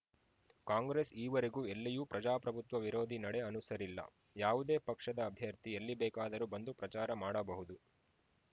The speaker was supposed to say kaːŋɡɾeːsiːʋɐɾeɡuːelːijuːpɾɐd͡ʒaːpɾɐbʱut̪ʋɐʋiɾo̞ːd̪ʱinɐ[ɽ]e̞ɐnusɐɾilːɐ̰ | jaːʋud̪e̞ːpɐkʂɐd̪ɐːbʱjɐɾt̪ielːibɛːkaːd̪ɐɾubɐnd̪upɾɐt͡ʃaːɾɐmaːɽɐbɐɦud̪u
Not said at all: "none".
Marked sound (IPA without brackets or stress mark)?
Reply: ɽ